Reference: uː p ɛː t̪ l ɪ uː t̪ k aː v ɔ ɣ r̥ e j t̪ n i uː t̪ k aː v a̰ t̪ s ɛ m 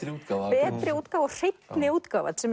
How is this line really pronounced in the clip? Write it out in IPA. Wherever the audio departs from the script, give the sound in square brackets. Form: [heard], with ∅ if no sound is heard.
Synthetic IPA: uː p ɛː t̪ [ɾ] ɪ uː t̪ k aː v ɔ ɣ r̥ e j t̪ n [ɪ] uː t̪ k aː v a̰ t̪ s ɛ m